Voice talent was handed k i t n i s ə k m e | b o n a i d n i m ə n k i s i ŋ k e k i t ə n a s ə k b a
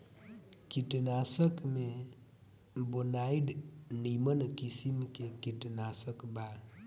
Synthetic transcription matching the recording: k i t n a s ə k m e | b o n a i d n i m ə n k i s i m k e k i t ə n a s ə k b a